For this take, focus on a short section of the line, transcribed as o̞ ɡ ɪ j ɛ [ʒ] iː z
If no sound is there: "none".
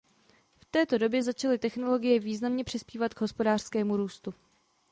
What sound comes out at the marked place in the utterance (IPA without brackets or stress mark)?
v